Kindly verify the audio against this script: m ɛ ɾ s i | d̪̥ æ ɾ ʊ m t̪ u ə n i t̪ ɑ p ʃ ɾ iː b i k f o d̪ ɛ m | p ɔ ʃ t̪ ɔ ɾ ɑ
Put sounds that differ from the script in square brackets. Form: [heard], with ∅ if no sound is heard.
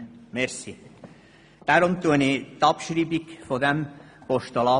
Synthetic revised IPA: m ɛ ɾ s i | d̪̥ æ ɾ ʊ m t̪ u ə n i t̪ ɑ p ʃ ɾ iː b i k f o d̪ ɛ m | p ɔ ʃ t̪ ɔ [l] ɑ